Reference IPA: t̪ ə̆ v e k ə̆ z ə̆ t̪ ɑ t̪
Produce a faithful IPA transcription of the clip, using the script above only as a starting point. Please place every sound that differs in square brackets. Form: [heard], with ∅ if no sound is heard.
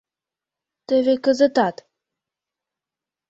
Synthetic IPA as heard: t̪ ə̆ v e k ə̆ z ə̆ t̪ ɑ t̪